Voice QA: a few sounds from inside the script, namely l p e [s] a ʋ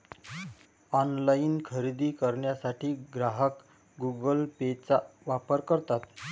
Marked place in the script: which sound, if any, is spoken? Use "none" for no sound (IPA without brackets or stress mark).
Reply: t͡s